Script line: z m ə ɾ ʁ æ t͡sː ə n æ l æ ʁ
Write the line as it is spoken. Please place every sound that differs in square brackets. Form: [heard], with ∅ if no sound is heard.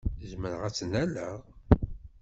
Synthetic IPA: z m ə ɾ ʁ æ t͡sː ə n æ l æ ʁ